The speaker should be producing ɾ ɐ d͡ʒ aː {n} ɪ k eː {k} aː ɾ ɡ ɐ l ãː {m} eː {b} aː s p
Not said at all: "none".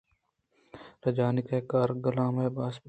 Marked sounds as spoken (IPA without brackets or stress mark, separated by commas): n, k, m, b